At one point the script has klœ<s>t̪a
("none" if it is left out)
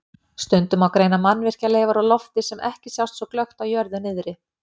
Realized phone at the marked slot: x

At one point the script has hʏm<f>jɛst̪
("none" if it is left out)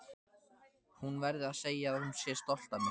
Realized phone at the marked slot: s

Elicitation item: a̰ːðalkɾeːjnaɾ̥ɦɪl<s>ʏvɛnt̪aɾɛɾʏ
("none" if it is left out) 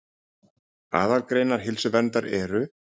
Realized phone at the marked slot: s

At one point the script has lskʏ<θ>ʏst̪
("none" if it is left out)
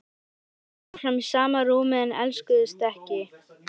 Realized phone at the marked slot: ð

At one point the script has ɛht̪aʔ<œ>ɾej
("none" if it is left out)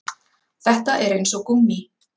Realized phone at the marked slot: ɛ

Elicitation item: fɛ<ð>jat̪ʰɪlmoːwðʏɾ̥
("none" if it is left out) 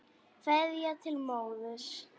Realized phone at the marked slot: ð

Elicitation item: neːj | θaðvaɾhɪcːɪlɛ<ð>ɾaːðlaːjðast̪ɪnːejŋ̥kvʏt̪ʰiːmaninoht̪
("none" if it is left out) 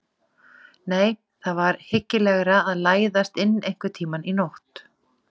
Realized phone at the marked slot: ɣ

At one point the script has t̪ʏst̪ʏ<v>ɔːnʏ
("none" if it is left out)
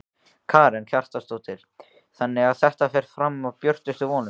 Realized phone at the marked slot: v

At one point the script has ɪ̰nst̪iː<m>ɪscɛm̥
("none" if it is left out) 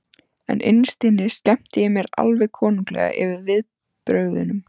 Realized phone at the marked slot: n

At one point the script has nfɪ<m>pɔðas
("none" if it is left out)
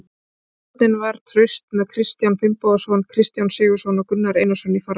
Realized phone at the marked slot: m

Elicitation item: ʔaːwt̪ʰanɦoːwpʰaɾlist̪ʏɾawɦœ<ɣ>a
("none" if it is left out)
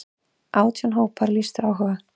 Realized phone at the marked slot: ɣ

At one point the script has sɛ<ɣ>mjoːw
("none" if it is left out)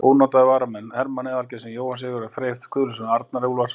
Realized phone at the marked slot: none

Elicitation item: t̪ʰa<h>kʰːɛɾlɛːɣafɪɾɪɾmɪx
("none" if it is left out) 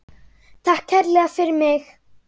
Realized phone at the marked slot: h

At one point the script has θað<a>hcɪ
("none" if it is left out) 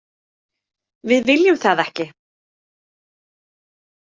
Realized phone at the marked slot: ɛ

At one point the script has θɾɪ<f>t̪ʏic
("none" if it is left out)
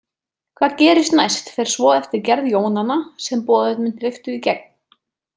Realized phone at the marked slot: f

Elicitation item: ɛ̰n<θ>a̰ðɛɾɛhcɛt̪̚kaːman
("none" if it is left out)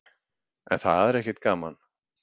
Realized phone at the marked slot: θ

